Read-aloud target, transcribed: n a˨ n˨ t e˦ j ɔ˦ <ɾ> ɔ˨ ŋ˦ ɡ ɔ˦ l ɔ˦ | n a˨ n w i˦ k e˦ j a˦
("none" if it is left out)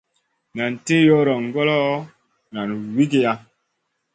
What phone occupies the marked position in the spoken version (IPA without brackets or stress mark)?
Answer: ɾ